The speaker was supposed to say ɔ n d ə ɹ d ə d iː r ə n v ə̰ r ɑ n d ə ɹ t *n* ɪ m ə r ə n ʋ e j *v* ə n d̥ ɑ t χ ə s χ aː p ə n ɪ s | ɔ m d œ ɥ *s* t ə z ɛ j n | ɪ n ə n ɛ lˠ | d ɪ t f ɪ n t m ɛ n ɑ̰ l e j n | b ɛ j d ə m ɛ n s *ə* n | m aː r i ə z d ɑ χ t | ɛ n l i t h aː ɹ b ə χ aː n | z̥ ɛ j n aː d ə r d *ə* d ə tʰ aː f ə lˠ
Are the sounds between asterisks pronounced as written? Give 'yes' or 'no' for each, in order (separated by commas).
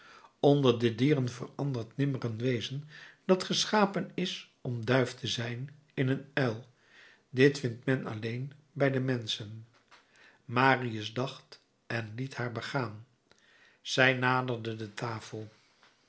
yes, no, no, yes, yes